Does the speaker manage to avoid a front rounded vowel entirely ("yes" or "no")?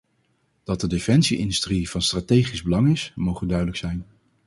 no